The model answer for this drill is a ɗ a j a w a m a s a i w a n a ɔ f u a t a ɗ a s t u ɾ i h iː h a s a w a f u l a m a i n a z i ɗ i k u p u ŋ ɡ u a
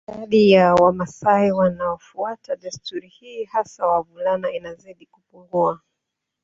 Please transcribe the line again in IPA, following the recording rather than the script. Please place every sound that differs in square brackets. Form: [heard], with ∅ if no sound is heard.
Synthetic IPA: a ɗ [i] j a w a m a s a i w a n a ɔ f u a t a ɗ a s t u ɾ i h iː h a s a w a [v] u l a [n] a i n a z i ɗ i k u p u ŋ ɡ u a